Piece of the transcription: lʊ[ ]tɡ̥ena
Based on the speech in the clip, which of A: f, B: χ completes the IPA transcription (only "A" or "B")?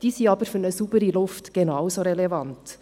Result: A